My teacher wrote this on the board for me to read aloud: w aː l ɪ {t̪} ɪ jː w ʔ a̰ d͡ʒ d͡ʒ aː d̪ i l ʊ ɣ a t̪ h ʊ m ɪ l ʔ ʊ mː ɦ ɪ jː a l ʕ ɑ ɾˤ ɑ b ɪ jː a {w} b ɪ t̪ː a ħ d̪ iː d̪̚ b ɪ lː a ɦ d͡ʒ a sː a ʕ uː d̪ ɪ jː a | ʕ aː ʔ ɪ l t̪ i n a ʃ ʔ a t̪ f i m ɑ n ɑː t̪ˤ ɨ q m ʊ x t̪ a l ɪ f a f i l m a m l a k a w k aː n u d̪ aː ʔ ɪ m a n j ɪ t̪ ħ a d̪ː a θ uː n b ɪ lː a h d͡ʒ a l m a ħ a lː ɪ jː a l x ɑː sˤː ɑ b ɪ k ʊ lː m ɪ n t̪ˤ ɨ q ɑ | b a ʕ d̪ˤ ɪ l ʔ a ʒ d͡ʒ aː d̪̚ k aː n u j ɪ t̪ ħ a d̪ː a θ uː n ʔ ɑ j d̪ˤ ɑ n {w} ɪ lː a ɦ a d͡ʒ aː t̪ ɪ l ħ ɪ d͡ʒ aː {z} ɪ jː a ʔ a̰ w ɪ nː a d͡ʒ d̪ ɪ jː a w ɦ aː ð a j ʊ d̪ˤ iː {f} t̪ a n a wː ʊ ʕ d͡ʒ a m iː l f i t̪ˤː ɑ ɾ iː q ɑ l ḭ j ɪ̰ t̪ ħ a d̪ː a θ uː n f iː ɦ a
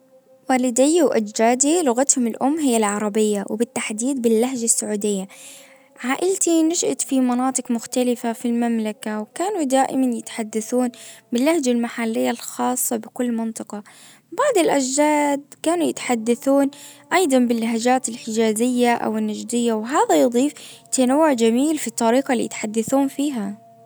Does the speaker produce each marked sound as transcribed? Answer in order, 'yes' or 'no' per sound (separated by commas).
no, yes, no, yes, yes